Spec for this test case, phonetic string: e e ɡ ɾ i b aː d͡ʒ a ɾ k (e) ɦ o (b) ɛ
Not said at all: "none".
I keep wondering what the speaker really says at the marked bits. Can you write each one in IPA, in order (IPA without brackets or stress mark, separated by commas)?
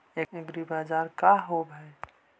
a, b